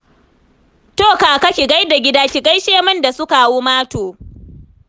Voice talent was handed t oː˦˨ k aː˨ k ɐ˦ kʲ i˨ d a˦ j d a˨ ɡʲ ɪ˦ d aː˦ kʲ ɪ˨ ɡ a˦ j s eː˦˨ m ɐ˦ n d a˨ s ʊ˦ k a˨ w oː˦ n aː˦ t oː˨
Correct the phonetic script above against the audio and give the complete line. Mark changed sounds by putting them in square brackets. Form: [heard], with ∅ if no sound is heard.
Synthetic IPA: t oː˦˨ k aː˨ k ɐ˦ kʲ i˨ [ɡ] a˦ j d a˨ ɡʲ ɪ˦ d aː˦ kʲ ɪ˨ ɡ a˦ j [ʃ] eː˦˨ m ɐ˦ n d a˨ s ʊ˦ k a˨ w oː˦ [m] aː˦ t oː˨